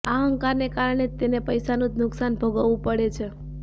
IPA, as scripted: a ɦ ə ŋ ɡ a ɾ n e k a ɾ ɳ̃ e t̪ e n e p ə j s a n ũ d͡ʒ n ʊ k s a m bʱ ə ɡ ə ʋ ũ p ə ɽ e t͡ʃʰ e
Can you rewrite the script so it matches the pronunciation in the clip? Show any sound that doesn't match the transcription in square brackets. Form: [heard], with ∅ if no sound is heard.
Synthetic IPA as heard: a ɦ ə ŋ [k] a ɾ n e k a ɾ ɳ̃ e t̪ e n e p ə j s a n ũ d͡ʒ n ʊ k s a [n] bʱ ə ɡ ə ʋ ũ p ə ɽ e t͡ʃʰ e